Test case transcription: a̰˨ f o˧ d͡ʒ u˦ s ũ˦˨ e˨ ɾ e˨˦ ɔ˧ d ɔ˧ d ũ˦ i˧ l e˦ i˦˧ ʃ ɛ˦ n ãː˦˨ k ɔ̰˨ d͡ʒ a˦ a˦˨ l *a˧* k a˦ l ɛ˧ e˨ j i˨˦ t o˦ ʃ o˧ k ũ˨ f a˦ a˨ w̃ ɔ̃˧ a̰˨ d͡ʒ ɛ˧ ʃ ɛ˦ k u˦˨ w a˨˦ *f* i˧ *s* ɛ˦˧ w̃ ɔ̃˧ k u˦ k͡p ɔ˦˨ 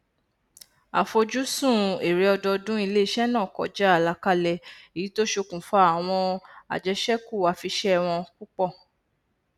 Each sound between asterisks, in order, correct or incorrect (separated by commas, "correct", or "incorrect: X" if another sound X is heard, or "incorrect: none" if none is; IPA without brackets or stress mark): correct, correct, incorrect: ʃ